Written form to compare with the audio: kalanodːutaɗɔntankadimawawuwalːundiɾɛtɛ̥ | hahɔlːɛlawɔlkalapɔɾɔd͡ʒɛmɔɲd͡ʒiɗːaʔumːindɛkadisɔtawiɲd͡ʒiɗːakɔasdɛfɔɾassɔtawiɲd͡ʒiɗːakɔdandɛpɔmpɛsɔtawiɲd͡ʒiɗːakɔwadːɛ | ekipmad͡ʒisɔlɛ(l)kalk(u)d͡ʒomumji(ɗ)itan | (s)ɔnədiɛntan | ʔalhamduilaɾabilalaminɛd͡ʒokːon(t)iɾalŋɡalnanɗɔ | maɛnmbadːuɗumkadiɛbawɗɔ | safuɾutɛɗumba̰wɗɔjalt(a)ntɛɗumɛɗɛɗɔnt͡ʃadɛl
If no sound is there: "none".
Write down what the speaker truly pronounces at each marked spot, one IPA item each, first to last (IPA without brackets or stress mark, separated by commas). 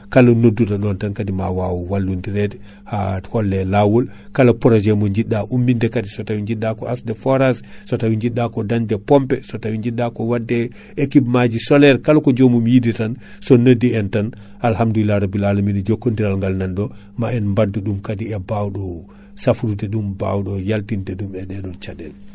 ɾ, ɔ, d, s, d, i